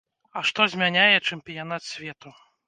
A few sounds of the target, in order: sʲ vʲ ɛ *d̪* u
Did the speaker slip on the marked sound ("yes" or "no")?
yes